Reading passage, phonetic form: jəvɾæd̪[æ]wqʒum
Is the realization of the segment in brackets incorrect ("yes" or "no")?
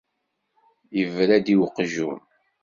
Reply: yes